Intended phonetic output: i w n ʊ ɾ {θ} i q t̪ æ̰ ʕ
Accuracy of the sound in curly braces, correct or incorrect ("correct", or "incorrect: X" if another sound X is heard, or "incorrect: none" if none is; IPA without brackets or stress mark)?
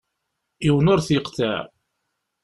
correct